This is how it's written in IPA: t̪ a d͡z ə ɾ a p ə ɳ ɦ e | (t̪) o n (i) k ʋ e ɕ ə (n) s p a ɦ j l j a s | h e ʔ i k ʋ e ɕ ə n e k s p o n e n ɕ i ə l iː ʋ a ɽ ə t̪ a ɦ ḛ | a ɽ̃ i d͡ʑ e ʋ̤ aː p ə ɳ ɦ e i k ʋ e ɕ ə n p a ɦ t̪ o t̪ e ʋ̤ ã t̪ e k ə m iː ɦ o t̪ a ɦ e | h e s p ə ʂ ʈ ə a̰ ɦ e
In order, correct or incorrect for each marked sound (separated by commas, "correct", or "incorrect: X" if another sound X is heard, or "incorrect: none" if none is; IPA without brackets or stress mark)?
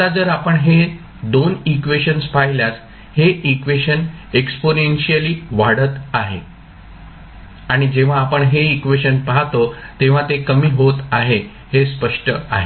incorrect: d̪, correct, correct